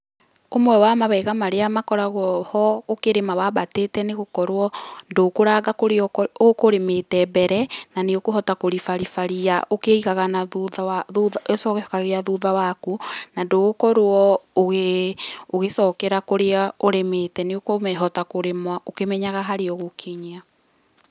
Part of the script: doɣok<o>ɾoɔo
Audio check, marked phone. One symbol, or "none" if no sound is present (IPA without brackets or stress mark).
ɔ